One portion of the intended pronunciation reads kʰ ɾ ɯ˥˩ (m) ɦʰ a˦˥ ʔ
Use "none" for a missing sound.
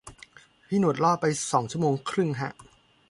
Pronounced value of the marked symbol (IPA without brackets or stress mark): ŋ